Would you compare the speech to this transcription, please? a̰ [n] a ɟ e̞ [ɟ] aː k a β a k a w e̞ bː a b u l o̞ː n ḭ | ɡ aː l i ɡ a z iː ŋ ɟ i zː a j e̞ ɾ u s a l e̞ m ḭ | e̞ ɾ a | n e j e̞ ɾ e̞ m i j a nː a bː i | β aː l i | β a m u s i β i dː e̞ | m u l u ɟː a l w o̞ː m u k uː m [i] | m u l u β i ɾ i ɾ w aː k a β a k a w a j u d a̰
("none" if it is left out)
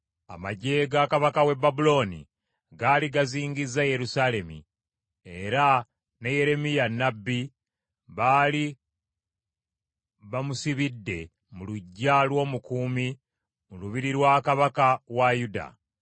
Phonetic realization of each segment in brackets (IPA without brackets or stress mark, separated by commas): m, ɡ, i